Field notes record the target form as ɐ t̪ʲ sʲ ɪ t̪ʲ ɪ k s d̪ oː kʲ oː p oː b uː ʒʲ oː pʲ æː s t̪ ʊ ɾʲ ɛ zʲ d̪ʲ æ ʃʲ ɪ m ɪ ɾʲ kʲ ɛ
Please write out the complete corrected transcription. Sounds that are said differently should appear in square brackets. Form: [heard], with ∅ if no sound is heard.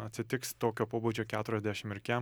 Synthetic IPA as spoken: ɐ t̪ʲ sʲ ɪ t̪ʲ ɪ k s [t̪] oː kʲ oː p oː b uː [d͡ʒʲ] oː [kʲ] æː [∅] t̪ ʊ ɾʲ ɛ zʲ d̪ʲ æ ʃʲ ɪ m ɪ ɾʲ kʲ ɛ